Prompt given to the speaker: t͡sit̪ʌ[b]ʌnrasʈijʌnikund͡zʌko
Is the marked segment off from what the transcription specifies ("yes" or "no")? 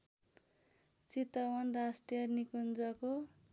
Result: yes